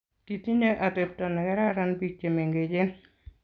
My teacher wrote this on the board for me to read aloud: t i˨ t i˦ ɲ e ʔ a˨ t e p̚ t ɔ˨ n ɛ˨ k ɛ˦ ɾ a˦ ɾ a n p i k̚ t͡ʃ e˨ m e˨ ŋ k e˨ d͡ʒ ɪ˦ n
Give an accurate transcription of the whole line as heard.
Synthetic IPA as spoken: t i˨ t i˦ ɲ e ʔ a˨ t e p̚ t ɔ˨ n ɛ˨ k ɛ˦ ɾ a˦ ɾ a n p i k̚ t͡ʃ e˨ m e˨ ŋ ɡ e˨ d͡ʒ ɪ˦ n